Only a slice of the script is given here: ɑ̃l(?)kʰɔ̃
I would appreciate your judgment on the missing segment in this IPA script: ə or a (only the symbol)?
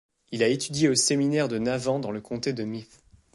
ə